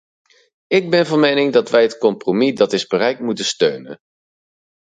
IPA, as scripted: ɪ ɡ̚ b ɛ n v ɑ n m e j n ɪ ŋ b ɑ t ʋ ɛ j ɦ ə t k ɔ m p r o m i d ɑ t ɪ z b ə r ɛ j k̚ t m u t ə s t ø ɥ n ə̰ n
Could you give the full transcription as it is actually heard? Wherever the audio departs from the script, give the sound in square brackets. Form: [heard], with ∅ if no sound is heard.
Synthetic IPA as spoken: ɪ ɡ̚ b ɛ n v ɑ n m e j n ɪ ŋ [d] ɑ t ʋ ɛ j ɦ ə t k ɔ m p r o m i d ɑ t ɪ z b ə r ɛ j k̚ t m u t ə s t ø ɥ n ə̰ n